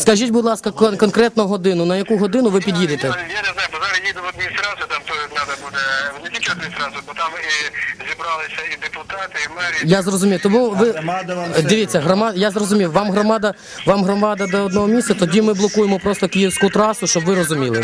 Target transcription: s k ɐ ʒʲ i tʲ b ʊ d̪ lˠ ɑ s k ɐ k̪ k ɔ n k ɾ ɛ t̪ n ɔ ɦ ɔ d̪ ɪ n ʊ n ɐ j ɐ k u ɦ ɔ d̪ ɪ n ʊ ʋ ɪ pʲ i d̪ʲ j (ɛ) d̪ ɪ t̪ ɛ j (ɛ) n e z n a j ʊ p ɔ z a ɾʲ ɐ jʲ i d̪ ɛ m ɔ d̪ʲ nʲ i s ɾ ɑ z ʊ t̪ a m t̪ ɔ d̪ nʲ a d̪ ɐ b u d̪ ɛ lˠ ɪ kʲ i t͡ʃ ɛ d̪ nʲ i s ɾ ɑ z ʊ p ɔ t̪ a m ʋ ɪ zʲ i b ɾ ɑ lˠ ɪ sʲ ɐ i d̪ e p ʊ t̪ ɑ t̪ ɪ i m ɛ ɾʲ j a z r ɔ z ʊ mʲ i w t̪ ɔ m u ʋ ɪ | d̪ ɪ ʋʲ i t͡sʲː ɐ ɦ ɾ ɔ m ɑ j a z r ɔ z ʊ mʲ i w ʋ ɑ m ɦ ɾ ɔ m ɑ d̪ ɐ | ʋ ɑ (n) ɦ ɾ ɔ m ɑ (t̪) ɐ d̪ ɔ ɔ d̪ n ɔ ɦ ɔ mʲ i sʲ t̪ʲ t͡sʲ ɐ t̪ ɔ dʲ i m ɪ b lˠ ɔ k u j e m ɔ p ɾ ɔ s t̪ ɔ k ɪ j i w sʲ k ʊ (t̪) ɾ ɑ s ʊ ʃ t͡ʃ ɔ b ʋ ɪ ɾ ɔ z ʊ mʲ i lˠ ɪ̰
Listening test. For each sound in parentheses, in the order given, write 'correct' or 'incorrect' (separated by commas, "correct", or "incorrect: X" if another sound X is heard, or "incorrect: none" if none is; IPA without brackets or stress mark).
incorrect: i, incorrect: a, incorrect: m, incorrect: d̪, correct